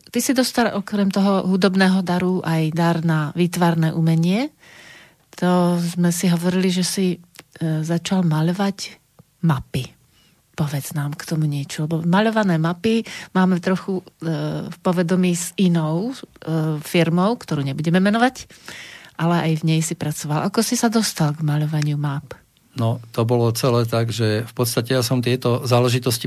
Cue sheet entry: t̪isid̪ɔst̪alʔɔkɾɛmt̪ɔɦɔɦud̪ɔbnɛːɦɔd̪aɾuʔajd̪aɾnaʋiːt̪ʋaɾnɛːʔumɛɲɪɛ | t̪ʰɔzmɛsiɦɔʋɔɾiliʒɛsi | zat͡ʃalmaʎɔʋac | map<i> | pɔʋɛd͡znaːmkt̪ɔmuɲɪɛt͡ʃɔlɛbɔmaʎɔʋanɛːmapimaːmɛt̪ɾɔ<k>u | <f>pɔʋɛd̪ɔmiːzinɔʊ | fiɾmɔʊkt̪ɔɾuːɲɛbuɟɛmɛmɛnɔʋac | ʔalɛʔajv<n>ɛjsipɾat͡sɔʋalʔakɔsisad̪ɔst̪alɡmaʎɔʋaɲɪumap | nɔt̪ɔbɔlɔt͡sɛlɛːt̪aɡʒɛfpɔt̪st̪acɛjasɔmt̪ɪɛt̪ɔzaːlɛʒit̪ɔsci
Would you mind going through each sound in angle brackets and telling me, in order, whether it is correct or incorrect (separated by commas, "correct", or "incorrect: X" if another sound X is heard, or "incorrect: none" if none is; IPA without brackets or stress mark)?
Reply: correct, incorrect: x, correct, incorrect: ɲ